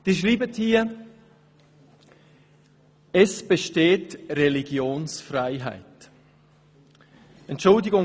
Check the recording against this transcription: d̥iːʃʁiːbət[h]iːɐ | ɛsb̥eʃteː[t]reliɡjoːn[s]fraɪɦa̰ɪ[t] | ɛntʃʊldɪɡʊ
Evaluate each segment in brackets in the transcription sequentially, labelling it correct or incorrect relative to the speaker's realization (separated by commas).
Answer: correct, correct, correct, correct